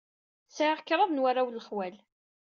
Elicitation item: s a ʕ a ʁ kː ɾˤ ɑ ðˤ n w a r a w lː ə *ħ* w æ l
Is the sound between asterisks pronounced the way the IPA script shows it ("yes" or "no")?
no